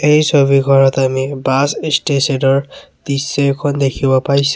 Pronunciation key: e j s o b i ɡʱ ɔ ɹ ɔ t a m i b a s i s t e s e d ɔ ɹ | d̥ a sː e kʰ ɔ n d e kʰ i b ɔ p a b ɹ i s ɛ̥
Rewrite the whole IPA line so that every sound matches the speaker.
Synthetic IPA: e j s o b i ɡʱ ɔ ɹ ɔ t a m i b a s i s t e s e d ɔ ɹ | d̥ i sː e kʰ ɔ n d e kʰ i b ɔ p a ɹ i s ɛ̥